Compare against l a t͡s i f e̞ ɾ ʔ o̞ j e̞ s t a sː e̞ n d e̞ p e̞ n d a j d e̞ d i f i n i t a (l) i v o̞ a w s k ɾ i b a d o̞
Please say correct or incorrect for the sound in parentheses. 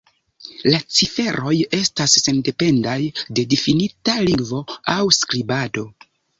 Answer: correct